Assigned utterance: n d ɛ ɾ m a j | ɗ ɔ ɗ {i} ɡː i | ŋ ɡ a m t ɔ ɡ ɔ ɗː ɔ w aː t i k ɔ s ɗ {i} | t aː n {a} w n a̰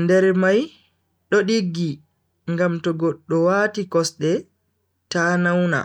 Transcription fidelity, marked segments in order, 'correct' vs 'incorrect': correct, incorrect, correct

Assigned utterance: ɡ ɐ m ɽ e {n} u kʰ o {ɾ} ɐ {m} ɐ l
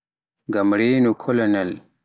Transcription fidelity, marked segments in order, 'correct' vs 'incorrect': correct, incorrect, incorrect

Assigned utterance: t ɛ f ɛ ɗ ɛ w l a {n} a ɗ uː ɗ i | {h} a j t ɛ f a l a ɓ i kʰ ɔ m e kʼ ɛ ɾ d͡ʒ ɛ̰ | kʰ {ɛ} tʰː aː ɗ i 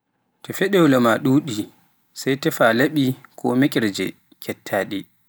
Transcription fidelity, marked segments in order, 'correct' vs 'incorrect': incorrect, incorrect, correct

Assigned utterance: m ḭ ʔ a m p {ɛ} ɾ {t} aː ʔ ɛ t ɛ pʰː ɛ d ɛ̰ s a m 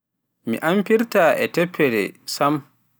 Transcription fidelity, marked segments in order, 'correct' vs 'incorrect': incorrect, correct

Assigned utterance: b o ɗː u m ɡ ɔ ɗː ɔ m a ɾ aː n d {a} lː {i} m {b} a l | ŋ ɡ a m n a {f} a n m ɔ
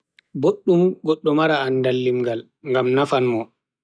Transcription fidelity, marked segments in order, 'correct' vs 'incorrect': correct, correct, incorrect, correct

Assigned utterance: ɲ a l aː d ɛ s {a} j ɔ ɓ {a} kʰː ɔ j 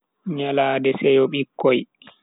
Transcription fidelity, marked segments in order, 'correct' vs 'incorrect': incorrect, incorrect

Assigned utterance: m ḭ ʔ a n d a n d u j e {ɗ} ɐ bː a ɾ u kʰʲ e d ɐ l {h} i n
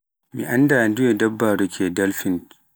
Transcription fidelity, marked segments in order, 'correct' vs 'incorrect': incorrect, incorrect

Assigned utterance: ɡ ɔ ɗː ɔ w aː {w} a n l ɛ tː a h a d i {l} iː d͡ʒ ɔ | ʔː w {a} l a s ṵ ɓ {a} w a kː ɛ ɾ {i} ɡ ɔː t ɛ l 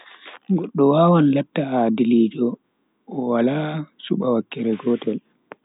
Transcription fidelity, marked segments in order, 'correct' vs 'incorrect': correct, correct, correct, correct, incorrect

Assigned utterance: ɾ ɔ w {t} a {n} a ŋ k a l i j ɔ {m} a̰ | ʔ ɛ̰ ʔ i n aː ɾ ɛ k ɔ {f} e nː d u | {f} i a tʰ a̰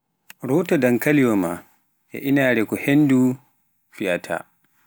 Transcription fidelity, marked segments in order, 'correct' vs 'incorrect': correct, incorrect, correct, incorrect, correct

